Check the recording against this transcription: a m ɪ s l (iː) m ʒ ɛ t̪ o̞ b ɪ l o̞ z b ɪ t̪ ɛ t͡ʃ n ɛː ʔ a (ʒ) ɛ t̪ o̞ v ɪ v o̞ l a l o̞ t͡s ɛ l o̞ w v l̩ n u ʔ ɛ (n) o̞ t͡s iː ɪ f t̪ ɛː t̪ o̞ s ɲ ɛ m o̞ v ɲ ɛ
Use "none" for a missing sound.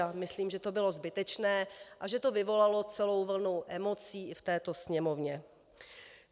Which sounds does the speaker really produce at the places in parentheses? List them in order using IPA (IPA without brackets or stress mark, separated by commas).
iː, ʒ, m